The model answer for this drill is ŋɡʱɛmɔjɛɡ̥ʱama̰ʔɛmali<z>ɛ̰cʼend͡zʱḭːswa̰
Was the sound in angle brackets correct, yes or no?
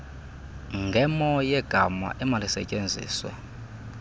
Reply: no